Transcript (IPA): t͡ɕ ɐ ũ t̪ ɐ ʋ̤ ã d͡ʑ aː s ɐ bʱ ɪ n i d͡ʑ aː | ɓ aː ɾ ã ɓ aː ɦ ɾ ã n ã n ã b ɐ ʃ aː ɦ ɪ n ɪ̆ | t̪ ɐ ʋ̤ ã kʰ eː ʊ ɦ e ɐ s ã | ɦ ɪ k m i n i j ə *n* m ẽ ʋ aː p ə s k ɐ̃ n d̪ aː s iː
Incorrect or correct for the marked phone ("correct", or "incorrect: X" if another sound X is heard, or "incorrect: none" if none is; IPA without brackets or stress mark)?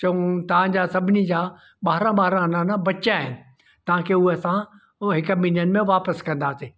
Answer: correct